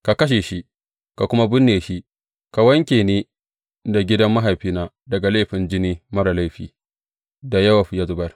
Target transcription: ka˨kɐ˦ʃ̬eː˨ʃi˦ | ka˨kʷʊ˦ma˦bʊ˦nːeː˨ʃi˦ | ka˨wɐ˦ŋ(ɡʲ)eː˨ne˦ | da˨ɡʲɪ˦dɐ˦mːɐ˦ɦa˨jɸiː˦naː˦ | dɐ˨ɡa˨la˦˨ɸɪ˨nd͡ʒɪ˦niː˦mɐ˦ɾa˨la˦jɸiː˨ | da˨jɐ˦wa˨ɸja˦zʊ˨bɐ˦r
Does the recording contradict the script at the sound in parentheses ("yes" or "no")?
yes